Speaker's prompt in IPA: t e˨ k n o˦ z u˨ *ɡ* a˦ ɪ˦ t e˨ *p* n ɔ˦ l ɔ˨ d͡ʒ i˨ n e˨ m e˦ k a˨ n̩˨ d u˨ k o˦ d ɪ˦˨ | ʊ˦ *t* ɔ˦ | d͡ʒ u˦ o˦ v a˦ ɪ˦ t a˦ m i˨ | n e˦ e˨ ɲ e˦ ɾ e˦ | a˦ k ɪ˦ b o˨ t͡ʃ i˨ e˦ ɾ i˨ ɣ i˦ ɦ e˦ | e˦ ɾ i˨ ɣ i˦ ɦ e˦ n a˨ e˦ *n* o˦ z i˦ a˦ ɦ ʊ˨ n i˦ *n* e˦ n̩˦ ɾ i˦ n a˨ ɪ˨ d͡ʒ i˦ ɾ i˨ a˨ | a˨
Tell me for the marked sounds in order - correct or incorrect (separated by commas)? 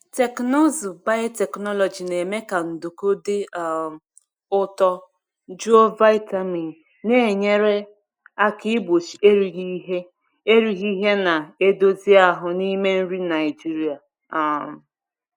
incorrect, incorrect, correct, incorrect, incorrect